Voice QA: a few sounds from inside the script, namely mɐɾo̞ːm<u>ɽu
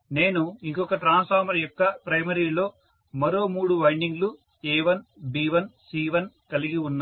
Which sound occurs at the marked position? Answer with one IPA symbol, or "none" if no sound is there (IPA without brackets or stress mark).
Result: uː